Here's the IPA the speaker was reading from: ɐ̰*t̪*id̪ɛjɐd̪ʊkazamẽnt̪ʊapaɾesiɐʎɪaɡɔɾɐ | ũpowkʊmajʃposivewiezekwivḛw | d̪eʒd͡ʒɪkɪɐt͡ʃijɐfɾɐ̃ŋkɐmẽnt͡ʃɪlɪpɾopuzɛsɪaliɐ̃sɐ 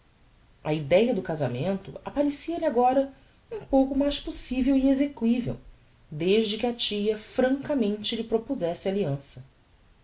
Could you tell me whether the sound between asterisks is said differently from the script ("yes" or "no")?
yes